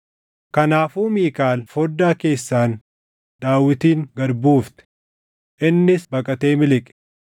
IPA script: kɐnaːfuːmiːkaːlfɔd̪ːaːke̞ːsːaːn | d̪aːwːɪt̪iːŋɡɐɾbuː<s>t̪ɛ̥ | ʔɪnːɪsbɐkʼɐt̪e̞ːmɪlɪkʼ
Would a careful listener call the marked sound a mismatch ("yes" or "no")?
yes